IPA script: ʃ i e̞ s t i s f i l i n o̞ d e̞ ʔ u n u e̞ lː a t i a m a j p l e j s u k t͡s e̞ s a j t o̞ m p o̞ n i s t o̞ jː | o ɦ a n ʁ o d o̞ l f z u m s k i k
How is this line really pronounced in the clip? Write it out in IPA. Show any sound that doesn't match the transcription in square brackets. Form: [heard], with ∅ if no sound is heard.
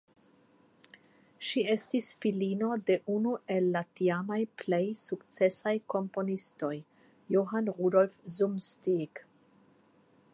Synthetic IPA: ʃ i e̞ s t i s f i l i n o̞ d e̞ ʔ u n u e̞ lː a t i a m a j p l e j s u k t͡s e̞ s a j [k] o̞ m p o̞ n i s t o̞ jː | o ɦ a n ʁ [u] d o̞ l f z u m s [t] i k